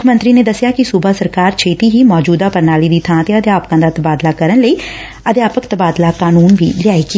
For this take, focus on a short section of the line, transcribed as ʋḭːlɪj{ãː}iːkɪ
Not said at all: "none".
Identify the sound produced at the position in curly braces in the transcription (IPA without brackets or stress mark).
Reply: aː